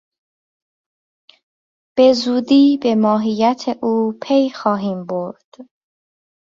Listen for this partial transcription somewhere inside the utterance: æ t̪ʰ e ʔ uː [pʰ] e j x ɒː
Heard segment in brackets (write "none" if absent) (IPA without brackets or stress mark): pʰ